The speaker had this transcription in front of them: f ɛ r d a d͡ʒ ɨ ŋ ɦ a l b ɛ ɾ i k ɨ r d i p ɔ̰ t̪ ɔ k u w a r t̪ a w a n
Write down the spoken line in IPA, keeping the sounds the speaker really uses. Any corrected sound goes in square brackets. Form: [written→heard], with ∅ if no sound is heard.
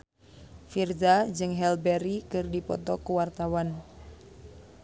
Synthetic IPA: f [ɛ→i] r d a d͡ʒ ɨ ŋ ɦ [a→ɛ] l b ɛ ɾ i k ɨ r d i p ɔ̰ t̪ ɔ k u w a r t̪ a w a n